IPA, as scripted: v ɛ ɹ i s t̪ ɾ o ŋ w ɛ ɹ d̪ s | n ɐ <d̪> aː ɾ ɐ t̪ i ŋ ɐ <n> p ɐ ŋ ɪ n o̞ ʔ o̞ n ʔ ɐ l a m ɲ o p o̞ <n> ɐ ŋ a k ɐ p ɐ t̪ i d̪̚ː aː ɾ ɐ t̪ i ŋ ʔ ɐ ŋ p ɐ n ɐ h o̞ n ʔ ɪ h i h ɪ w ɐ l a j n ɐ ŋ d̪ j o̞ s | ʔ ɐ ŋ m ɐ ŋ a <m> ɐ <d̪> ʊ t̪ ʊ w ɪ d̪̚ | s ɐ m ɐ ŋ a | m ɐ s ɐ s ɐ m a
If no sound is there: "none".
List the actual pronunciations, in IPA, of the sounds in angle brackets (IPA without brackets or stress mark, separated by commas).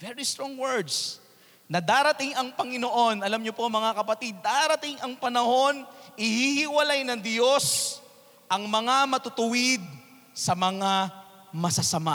d̪, ŋ, m, m, t̪